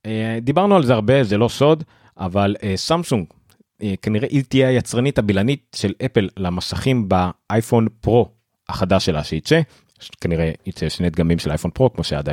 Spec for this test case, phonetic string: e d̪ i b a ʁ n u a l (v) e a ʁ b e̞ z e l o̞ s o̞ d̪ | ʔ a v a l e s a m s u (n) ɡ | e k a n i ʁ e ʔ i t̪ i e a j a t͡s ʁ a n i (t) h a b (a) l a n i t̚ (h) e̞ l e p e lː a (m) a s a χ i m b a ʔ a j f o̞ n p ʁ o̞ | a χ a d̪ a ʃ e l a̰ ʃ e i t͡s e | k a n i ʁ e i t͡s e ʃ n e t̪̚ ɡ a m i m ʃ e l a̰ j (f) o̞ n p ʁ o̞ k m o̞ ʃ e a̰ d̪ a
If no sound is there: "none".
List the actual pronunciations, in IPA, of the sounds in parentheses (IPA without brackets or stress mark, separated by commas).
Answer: z, ŋ, t, i, ʃ, m, f